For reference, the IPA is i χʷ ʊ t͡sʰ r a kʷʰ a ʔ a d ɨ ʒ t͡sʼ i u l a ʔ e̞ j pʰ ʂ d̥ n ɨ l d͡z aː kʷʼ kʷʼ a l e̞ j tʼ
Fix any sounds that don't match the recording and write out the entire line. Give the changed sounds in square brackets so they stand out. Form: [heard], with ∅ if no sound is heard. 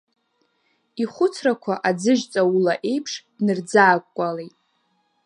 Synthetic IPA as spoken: i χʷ ʊ t͡sʰ r a kʷʰ a ʔ a [d͡z] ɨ ʒ t͡sʼ [a] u l a ʔ e̞ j pʰ ʂ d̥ n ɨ [r] d͡z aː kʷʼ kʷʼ a l e̞ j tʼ